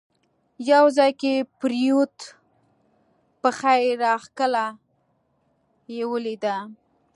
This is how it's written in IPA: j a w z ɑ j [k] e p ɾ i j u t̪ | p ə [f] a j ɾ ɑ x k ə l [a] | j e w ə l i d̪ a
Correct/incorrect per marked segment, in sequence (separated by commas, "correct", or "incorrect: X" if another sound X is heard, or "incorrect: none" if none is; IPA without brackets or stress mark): correct, incorrect: x, correct